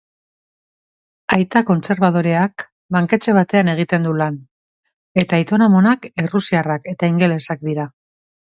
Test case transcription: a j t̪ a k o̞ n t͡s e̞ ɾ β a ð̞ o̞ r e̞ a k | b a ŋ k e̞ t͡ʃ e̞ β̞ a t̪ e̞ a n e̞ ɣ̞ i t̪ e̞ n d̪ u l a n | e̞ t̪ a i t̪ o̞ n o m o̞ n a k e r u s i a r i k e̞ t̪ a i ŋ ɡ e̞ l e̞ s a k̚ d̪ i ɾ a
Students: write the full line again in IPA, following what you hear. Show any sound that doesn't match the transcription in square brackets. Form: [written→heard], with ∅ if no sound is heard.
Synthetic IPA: a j t̪ a k o̞ n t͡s e̞ ɾ β a ð̞ o̞ [r→ɾ] e̞ a k | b a ŋ k e̞ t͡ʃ e̞ β̞ a t̪ e̞ a n e̞ ɣ̞ i t̪ e̞ n d̪ u l a n | e̞ t̪ a i t̪ o̞ n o m o̞ n a k e r u s i a r [i→a] k e̞ t̪ a i ŋ ɡ e̞ l e̞ s a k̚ d̪ i ɾ a

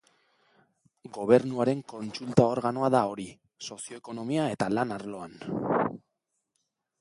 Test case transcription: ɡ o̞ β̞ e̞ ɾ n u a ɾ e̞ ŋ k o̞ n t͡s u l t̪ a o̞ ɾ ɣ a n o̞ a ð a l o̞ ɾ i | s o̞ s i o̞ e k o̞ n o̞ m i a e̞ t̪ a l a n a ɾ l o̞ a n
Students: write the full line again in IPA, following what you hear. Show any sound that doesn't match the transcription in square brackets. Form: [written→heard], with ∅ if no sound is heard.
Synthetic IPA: ɡ o̞ β̞ e̞ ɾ n u a ɾ e̞ ŋ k o̞ n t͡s u l t̪ a o̞ ɾ ɣ a n o̞ a ð a [l→∅] o̞ ɾ i | s o̞ s i o̞ e k o̞ n o̞ m i a e̞ t̪ a l a n a ɾ l o̞ a n

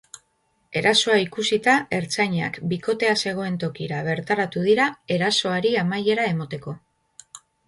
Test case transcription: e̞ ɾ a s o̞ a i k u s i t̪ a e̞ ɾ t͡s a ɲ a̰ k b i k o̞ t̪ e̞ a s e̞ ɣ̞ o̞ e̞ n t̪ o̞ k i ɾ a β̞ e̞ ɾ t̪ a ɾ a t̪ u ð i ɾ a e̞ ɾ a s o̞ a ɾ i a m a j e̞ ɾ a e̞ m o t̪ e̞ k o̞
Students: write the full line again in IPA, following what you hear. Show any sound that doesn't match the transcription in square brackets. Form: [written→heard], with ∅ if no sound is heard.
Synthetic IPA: e̞ ɾ a s o̞ a i k u s i t̪ a e̞ ɾ t͡s a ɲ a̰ k b i k o̞ t̪ e̞ a s e̞ ɣ̞ o̞ e̞ n t̪ o̞ k i ɾ a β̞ e̞ ɾ t̪ a ɾ a t̪ u ð i ɾ a e̞ ɾ a s o̞ a ɾ i a m a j e̞ ɾ a e̞ m o t̪ e̞ k o̞

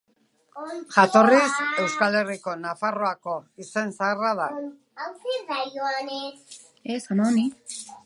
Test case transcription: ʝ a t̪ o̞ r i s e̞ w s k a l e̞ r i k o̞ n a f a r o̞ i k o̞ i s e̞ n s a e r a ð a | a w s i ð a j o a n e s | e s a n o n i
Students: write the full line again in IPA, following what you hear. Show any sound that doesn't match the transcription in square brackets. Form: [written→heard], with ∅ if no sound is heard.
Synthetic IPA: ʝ a t̪ o̞ r i s e̞ w s k a l e̞ r i k o̞ n a f a r o̞ [i→a] k o̞ i s e̞ n s a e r a ð a | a w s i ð a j o a n e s | e s a n o n i

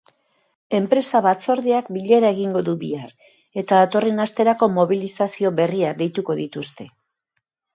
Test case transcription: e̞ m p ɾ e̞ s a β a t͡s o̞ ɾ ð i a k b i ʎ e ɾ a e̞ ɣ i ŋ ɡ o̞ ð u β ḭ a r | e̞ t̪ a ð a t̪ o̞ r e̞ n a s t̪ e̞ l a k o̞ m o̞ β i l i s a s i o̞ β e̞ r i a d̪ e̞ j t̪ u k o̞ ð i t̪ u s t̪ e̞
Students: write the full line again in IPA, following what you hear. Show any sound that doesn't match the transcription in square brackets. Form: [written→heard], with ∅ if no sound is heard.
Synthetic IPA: e̞ m p ɾ e̞ s a β a t͡s o̞ ɾ ð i a k b i ʎ e ɾ a e̞ ɣ i ŋ ɡ o̞ ð u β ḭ a r | e̞ t̪ a ð a t̪ o̞ r e̞ n a s t̪ e̞ [l→ɾ] a k o̞ m o̞ β i l i s a s i o̞ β e̞ r i a d̪ e̞ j t̪ u k o̞ ð i t̪ u s t̪ e̞

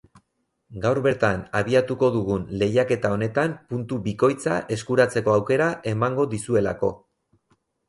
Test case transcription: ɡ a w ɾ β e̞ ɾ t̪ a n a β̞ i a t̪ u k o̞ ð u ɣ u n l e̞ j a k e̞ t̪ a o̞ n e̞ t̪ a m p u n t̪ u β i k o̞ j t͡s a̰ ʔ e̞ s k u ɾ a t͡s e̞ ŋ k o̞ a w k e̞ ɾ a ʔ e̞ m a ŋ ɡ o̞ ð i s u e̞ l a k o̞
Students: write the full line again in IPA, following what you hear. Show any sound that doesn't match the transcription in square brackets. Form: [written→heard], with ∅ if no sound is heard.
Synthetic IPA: ɡ a w ɾ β e̞ ɾ t̪ a n a β̞ i a t̪ u k o̞ ð u ɣ u n l e̞ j a k e̞ t̪ a o̞ n e̞ t̪ a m p u n t̪ u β i k o̞ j t͡s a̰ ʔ e̞ s k u ɾ a t͡s e̞ [ŋ→∅] k o̞ a w k e̞ ɾ a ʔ e̞ m a ŋ ɡ o̞ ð i s u e̞ l a k o̞

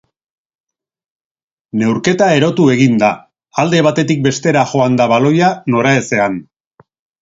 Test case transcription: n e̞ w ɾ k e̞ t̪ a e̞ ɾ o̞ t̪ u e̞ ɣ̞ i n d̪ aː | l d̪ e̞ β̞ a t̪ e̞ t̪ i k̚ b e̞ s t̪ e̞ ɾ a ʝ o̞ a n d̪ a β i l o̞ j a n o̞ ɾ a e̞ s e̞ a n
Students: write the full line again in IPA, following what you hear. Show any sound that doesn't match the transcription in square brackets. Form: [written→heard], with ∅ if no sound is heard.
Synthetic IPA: n e̞ w ɾ k e̞ t̪ a e̞ ɾ o̞ t̪ u e̞ ɣ̞ i n d̪ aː | l d̪ e̞ β̞ a t̪ e̞ t̪ i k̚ b e̞ s t̪ e̞ ɾ a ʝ o̞ a n d̪ a β [i→a] l o̞ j a n o̞ ɾ a e̞ s e̞ a n

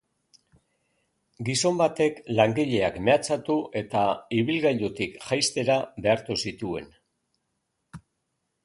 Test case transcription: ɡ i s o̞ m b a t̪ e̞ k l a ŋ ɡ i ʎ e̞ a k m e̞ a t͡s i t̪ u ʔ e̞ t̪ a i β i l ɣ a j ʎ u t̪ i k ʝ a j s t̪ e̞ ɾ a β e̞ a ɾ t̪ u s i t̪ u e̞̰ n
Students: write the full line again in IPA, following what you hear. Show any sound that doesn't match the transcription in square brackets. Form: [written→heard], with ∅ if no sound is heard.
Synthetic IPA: ɡ i s o̞ m b a t̪ e̞ k l a ŋ ɡ i ʎ e̞ a k m e̞ a t͡s [i→a] t̪ u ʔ e̞ t̪ a i β i l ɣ a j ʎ u t̪ i k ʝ a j s t̪ e̞ ɾ a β e̞ a ɾ t̪ u s i t̪ u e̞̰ n

